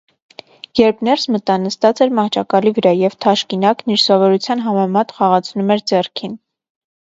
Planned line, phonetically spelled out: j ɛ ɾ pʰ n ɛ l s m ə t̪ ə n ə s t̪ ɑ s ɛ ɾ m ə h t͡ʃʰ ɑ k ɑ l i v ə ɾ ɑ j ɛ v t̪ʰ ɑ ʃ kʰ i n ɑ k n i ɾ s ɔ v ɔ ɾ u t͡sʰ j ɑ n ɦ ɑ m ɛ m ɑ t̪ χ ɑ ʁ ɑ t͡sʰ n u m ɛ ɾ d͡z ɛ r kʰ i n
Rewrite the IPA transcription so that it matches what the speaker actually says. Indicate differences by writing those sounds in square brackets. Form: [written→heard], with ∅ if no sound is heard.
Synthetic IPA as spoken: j ɛ ɾ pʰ n ɛ [l→ɾ] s m ə t̪ [ə→ɑ] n ə s t̪ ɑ [s→t͡s] ɛ ɾ m [ə→ɑ] h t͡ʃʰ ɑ k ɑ l i v ə ɾ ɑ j ɛ v t̪ʰ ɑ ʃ [kʰ→k] i n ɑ k n i ɾ s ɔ v ɔ ɾ u t͡sʰ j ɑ n ɦ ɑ m ɛ m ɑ t̪ χ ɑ ʁ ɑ t͡sʰ n u m ɛ ɾ d͡z ɛ r kʰ i n